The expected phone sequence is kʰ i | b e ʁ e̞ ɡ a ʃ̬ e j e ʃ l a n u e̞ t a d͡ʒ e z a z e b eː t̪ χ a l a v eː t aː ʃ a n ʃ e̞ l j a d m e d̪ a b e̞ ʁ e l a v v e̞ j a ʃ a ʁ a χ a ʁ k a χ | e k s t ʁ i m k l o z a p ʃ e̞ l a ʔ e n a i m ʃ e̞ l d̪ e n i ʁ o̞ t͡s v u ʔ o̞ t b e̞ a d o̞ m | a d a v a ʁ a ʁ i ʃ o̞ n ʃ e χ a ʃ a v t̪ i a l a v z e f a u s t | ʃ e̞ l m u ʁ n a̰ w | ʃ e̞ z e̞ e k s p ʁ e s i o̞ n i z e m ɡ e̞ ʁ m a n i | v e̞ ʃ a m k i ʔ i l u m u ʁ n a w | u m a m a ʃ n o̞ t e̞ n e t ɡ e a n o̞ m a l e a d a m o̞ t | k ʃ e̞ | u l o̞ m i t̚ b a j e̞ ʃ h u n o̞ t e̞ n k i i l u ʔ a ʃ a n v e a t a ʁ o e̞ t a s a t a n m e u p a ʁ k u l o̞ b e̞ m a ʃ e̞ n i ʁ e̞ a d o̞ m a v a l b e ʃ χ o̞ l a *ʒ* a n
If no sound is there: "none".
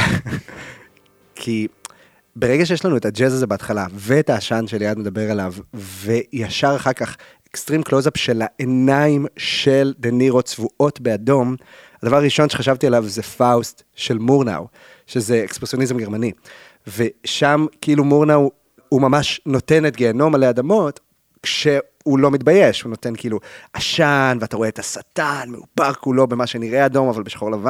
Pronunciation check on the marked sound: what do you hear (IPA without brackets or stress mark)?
v